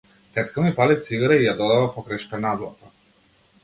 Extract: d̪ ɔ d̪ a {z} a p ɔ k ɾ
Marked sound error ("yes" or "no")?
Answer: yes